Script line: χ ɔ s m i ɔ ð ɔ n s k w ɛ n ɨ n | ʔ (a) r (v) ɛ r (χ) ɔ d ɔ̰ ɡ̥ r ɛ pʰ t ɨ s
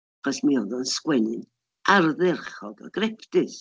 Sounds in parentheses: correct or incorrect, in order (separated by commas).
correct, incorrect, correct